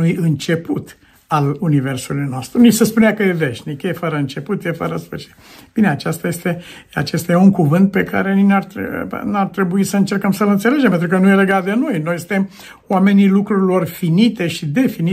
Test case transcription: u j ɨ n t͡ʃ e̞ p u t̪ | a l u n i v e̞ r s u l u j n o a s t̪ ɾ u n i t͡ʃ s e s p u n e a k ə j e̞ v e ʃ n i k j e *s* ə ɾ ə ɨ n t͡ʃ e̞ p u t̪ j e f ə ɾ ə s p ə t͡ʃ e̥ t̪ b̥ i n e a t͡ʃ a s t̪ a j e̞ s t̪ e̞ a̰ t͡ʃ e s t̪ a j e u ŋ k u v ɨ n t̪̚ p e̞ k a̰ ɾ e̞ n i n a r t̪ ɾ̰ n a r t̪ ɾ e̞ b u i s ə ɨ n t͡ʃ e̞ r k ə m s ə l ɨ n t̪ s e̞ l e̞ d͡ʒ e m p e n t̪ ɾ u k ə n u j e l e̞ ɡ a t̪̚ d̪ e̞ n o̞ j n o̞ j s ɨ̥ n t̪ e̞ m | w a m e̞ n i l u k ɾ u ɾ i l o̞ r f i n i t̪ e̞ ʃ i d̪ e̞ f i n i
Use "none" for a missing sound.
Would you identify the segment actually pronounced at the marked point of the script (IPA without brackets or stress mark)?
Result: f